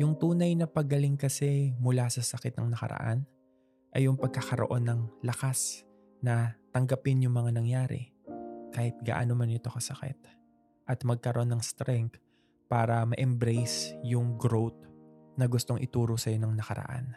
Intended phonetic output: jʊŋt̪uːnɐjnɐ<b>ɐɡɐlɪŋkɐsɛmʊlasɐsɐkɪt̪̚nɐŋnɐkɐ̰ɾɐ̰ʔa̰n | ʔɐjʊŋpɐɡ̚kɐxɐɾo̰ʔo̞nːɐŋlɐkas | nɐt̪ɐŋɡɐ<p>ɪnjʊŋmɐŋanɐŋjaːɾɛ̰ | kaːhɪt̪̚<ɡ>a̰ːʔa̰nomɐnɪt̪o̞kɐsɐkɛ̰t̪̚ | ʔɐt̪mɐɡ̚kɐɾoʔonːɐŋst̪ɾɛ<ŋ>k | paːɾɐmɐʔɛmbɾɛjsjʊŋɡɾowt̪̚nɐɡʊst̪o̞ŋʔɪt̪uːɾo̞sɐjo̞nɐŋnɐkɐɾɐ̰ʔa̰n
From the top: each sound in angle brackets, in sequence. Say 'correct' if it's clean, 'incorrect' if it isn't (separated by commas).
incorrect, correct, correct, correct